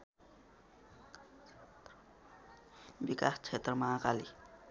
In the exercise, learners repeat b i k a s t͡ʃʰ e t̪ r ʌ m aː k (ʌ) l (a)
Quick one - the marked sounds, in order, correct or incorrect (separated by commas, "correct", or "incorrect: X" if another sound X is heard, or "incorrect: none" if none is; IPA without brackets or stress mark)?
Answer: incorrect: a, incorrect: i